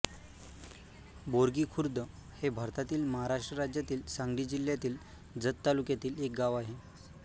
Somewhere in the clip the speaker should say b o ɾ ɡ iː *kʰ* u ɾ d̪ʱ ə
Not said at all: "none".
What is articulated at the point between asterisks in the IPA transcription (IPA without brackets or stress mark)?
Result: kʰ